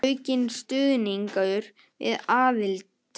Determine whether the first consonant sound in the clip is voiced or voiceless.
voiced